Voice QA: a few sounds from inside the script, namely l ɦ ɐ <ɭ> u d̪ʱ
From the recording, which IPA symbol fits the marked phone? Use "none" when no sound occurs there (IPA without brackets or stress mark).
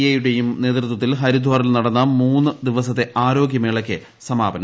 ɾ